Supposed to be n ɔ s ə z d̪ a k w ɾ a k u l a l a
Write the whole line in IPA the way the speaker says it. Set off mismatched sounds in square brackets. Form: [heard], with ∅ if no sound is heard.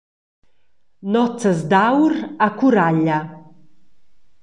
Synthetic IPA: n ɔ [t͡s] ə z d̪ a [∅] w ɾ a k u [ɾ] a [ʎ] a